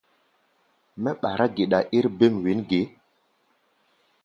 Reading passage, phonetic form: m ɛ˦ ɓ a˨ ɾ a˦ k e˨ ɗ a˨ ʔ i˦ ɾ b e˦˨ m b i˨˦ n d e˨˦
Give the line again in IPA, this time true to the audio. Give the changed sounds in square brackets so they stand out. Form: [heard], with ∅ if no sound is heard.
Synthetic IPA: m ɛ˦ ɓ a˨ ɾ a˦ [ɡ] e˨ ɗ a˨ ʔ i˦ ɾ b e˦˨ m [w] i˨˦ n [ɡ] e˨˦

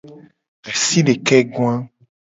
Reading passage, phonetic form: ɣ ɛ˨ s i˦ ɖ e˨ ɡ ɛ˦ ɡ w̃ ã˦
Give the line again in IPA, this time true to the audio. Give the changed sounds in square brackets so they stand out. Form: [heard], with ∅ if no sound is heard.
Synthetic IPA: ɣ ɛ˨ s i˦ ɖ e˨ [k] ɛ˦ ɡ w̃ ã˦

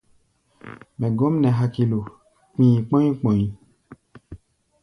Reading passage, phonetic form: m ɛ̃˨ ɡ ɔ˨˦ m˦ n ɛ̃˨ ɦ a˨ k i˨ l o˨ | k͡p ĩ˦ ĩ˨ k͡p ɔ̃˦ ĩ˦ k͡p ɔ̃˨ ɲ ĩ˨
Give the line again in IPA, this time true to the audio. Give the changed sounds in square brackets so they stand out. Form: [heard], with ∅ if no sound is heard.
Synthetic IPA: m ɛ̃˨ ɡ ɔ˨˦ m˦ n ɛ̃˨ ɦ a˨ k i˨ l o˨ | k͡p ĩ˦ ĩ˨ k͡p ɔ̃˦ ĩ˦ k͡p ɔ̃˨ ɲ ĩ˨

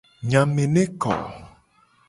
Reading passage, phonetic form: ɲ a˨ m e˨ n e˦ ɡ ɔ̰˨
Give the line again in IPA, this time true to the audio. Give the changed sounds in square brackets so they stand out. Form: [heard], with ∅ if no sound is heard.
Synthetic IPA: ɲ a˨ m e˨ n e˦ [k] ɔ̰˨

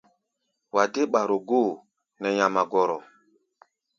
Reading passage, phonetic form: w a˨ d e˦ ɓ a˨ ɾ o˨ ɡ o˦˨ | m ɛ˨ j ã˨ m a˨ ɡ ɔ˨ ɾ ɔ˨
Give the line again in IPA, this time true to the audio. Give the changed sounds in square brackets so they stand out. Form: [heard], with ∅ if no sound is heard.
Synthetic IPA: w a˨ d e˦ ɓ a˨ ɾ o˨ ɡ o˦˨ | [n] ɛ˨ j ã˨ m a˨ ɡ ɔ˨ ɾ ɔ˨

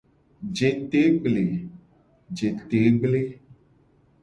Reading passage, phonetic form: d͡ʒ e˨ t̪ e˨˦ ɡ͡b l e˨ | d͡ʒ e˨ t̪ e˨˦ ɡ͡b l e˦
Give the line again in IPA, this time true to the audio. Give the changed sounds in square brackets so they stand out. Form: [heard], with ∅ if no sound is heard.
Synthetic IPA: d͡ʒ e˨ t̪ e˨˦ ɡ͡b l e˨ | d͡ʒ e˨ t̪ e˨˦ ɡ͡b l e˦

